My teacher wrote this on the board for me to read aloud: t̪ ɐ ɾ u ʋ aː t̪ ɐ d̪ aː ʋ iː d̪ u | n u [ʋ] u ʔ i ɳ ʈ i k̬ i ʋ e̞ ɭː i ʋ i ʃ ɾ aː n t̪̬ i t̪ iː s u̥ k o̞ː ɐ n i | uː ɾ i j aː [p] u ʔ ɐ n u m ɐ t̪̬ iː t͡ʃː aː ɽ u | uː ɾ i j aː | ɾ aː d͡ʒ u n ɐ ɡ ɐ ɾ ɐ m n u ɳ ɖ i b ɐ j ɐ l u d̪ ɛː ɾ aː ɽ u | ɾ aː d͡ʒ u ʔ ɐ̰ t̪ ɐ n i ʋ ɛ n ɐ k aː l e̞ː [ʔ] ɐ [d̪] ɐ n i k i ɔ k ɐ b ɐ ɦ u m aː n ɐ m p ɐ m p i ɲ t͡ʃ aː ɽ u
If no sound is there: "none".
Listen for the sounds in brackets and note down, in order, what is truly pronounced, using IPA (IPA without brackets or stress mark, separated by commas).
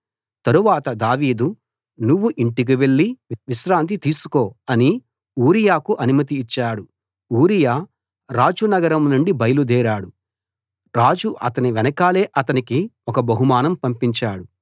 ʋː, k, ʔ, t̪